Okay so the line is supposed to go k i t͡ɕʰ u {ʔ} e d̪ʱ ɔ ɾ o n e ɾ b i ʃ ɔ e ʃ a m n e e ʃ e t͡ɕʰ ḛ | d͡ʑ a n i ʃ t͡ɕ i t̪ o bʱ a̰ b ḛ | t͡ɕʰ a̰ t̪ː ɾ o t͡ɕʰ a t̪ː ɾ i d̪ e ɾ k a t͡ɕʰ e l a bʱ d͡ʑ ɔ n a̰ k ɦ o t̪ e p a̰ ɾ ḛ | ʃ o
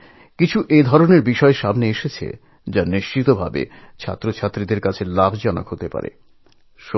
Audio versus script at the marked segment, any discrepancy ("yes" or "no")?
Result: no